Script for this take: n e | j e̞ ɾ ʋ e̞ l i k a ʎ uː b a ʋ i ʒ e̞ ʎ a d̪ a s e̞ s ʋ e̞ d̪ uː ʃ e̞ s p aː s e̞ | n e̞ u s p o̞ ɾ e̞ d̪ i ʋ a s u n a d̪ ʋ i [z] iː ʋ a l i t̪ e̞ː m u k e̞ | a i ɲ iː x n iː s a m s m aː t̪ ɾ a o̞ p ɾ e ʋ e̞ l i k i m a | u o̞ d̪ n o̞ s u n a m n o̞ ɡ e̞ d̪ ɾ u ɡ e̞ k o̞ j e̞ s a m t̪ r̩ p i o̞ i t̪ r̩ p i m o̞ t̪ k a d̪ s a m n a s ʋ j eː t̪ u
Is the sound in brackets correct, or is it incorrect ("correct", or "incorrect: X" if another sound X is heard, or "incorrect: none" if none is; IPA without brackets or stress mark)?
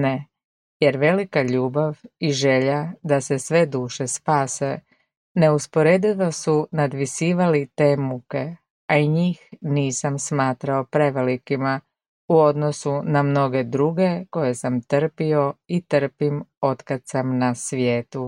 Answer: incorrect: s